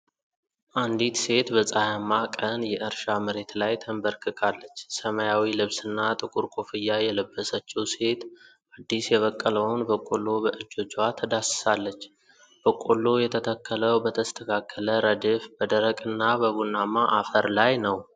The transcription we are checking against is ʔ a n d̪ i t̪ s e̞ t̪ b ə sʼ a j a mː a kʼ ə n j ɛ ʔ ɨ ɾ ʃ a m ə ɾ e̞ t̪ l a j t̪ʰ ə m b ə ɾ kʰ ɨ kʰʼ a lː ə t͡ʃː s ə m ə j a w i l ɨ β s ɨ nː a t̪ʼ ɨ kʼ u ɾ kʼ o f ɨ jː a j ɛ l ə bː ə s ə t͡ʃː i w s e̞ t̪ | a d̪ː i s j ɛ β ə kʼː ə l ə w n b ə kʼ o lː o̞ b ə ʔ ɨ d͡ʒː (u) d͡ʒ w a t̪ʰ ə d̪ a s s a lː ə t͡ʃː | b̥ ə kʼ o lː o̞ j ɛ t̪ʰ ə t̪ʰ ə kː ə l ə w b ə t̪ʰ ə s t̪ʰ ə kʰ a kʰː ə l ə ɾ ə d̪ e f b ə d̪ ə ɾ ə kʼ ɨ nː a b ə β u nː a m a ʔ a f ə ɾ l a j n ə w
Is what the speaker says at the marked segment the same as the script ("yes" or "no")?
no